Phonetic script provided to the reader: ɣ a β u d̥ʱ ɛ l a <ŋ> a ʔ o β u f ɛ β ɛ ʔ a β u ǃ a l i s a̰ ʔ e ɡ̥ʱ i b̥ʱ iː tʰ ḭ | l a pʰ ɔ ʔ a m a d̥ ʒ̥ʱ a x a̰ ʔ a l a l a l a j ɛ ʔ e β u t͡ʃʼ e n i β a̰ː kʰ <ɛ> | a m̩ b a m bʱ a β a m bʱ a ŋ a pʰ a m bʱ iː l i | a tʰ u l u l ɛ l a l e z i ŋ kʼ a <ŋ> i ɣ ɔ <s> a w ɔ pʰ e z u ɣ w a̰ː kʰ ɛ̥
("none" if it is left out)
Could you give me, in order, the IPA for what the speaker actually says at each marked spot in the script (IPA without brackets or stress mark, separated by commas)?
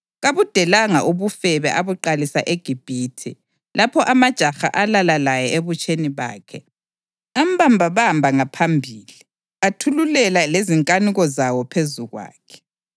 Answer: ŋ, ɛ, n, z